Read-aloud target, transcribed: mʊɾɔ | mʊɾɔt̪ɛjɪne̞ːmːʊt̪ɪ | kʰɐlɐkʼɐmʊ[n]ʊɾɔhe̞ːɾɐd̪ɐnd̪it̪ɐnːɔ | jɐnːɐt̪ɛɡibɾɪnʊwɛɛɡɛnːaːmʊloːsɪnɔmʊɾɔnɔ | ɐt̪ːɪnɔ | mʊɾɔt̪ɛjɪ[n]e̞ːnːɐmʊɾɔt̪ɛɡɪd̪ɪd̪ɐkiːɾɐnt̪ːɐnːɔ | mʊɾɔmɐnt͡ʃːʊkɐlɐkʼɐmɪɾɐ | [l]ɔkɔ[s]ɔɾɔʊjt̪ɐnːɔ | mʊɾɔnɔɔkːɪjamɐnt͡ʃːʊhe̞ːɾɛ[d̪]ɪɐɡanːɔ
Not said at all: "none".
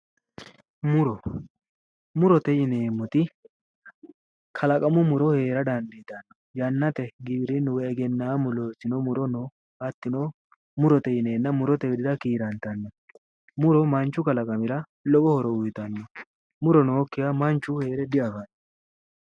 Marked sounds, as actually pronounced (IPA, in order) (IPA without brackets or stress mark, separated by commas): m, n, l, h, d̪